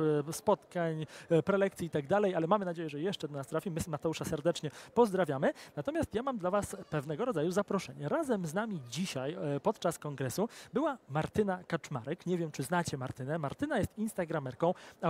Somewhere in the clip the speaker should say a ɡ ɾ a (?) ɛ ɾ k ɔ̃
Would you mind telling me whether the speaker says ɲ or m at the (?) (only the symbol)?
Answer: m